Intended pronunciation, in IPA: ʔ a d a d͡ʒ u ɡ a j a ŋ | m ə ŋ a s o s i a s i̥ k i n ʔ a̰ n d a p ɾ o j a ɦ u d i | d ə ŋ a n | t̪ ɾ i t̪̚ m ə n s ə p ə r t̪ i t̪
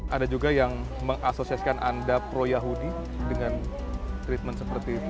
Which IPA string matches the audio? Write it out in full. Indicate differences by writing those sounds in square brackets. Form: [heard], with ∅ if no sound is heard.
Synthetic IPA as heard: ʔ a d a d͡ʒ u ɡ a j a ŋ | m ə ŋ a s o s i a s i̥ k [a] n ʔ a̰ n d a p ɾ o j a ɦ u d i | d ə ŋ a n | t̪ ɾ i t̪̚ m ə n s ə p ə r t̪ i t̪